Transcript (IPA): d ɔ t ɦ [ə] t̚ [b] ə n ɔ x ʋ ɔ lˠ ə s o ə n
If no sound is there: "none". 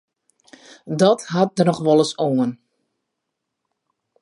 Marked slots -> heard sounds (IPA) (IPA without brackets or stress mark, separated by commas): a, d